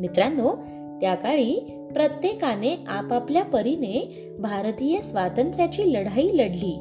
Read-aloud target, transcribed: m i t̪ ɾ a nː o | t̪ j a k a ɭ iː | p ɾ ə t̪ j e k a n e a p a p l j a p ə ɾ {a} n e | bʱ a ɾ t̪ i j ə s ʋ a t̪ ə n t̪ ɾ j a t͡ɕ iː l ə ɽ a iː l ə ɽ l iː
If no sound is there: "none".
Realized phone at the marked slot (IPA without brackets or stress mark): i